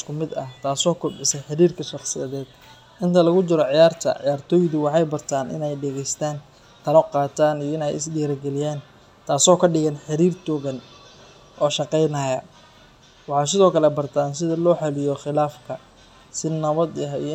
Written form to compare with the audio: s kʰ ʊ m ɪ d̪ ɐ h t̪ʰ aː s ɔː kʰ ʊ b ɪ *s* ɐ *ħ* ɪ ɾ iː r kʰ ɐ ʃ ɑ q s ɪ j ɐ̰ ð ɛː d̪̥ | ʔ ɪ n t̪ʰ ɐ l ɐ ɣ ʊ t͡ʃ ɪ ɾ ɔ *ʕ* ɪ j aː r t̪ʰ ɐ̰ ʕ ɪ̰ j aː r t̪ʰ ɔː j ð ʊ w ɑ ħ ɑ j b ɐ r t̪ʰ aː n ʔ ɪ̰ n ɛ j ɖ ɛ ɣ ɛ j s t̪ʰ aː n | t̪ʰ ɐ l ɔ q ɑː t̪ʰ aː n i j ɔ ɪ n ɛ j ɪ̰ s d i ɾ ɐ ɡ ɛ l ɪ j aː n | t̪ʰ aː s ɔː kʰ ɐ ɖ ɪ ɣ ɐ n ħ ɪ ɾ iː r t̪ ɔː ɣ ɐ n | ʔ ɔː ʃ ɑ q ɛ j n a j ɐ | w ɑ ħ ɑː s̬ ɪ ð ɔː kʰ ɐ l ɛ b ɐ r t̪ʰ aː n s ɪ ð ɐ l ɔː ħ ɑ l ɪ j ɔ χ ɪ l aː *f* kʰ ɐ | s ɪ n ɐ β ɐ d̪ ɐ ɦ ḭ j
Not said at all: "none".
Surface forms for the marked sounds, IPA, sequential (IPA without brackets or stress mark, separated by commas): s, ħ, ʕ, f